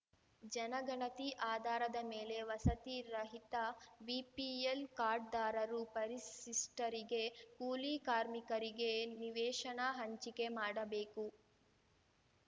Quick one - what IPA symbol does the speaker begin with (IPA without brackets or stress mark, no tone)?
d͡ʒ